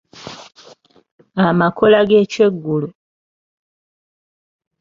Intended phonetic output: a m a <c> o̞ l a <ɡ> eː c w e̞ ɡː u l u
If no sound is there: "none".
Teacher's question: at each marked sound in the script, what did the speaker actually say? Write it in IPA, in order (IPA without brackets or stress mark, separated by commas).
k, ɡ